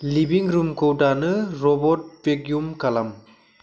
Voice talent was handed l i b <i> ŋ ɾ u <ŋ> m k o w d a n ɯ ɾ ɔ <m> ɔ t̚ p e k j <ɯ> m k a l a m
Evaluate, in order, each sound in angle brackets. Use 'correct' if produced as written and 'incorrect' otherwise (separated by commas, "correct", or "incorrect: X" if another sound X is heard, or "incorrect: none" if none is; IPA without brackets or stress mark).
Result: correct, incorrect: none, incorrect: b, incorrect: u